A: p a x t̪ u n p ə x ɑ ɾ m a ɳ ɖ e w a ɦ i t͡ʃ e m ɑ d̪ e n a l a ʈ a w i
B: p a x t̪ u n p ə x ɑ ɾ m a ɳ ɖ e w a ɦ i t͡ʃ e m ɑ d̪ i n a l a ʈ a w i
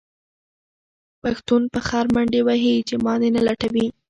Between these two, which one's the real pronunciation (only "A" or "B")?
A